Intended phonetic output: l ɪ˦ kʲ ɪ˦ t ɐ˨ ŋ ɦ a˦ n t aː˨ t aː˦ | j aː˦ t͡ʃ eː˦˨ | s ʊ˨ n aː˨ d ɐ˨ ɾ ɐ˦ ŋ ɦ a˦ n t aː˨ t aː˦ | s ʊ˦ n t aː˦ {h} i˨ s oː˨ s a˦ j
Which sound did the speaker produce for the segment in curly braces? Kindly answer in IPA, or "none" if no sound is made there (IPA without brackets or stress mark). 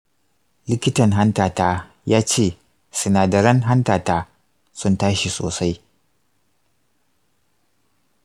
ʃ